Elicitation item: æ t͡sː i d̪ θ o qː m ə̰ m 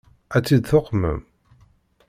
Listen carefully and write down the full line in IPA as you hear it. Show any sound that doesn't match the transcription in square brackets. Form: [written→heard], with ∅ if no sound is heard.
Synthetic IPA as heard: æ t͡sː i d̪ θ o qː m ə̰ m